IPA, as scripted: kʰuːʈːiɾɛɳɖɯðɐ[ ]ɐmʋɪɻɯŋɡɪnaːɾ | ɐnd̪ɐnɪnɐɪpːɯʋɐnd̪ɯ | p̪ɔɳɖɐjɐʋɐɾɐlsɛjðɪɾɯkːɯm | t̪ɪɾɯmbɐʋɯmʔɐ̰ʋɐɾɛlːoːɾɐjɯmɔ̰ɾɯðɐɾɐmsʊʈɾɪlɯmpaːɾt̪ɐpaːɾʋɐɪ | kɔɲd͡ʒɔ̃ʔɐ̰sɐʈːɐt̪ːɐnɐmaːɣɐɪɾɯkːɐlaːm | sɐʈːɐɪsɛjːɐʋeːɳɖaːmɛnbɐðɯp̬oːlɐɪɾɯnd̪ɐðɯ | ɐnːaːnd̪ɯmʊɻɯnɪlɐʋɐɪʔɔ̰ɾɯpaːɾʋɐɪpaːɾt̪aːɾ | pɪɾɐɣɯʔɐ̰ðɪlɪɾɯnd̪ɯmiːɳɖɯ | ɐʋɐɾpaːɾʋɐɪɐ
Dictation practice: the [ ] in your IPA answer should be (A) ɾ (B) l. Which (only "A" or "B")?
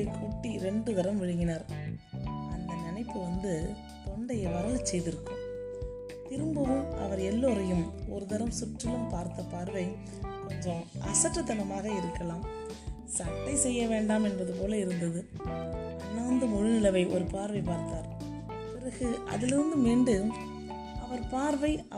A